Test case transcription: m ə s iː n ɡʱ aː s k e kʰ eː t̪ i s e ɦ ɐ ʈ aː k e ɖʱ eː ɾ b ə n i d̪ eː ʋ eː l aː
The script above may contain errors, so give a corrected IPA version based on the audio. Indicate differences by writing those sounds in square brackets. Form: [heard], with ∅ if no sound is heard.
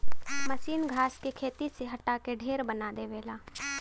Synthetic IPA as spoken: m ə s iː n ɡʱ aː s k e kʰ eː t̪ i s e ɦ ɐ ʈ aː k e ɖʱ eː ɾ b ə n [a] d̪ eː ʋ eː l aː